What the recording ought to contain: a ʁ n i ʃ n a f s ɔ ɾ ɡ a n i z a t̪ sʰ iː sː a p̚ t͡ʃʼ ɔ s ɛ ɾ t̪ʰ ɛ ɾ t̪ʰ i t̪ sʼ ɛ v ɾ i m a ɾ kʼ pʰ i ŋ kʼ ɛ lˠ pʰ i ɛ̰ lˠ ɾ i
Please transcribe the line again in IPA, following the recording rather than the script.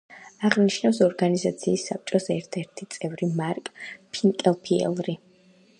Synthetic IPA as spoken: a ʁ n i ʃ n a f s ɔ ɾ ɡ a n i z a t̪ sʰ iː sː a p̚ t͡ʃʼ ɔ s ɛ ɾ t̪ʰ ɛ ɾ t̪ʰ i t̪ sʼ ɛ v ɾ i m a ɾ kʼ pʰ i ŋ kʼ ɛ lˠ pʰ i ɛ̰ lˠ ɾ i